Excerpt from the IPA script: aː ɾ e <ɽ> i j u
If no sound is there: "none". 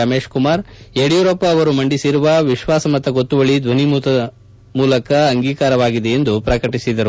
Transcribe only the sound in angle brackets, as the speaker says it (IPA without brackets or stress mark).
ɽ